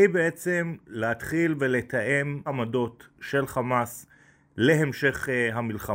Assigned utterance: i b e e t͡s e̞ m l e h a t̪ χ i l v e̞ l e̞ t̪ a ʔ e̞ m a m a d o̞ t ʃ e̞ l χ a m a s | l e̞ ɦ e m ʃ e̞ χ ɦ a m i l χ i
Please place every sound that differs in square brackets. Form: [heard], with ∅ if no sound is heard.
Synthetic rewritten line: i b e e t͡s e̞ m l e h a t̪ χ i l v e̞ l e̞ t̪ a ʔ e̞ m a m a d o̞ t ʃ e̞ l χ a m a s | l e̞ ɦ e m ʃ e̞ χ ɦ a m i l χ [a]